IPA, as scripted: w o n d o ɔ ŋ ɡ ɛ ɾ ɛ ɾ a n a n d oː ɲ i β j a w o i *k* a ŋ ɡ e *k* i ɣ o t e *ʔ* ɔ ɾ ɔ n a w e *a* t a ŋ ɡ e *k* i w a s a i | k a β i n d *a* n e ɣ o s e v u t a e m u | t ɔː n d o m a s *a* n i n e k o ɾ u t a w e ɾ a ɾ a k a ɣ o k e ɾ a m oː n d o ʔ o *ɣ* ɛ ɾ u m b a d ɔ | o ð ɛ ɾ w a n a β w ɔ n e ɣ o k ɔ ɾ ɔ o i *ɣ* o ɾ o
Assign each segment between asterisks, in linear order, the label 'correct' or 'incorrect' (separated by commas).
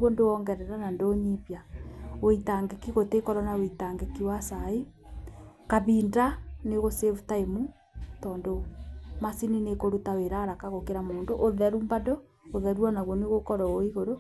incorrect, correct, incorrect, incorrect, correct, correct, incorrect, incorrect, correct